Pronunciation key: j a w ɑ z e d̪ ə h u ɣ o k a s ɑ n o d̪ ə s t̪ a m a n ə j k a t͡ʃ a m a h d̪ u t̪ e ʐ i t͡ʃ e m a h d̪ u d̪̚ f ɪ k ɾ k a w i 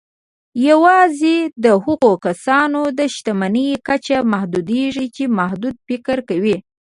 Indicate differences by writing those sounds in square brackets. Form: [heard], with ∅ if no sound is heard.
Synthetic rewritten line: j a w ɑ z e d̪ ə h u ɣ o k a s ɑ n o d̪ ə [ʃ] t̪ a m a n ə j k a t͡ʃ a m a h d̪ u [d̪] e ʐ i t͡ʃ e m a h d̪ u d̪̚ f ɪ k ɾ k a w i